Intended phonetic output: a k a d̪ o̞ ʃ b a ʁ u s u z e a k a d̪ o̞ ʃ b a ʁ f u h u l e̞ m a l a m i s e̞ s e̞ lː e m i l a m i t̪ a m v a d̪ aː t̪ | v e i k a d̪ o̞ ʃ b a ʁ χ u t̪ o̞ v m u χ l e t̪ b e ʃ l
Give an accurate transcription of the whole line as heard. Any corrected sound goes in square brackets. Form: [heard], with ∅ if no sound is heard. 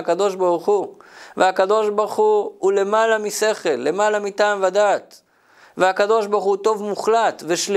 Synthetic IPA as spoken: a k a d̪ o̞ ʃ b a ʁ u [χ] u [v] e a k a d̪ o̞ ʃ b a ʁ [χ] u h u l e̞ m a l a m i s e̞ [χ] e̞ lː e m [a] l a m i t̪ a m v a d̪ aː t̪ | v e [a] k a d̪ o̞ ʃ b a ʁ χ u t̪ o̞ v m u χ l [a] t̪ [v] e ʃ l